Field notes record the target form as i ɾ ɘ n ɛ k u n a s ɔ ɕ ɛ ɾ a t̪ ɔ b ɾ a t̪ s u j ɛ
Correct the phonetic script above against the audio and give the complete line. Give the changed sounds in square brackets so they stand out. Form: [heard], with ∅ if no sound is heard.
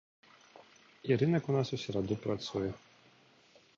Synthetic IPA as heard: i ɾ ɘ n ɛ k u n a s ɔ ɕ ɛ ɾ a [d̪] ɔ [p] ɾ a t̪ s u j ɛ